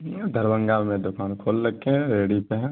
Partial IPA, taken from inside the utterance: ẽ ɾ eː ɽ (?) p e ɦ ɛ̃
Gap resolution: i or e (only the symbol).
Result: i